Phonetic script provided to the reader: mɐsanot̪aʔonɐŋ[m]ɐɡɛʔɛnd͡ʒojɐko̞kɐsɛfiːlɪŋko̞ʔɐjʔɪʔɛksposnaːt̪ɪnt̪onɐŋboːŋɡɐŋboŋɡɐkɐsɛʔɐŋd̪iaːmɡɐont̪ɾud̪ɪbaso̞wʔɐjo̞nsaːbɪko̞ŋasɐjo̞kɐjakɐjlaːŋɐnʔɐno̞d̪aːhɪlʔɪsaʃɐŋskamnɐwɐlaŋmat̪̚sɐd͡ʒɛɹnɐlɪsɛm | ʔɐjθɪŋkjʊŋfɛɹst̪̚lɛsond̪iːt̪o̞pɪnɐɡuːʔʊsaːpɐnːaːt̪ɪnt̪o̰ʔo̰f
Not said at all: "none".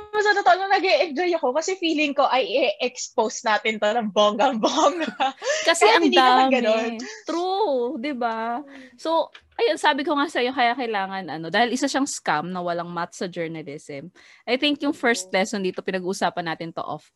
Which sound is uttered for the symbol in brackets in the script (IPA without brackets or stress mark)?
n